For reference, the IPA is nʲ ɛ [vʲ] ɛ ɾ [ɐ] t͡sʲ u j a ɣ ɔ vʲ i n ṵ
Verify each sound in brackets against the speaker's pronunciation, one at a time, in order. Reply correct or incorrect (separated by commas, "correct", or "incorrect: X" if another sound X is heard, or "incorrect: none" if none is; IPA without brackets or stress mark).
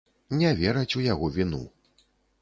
correct, correct